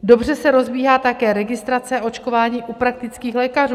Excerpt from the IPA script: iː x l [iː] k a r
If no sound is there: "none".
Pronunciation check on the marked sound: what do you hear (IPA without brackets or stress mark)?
ɛː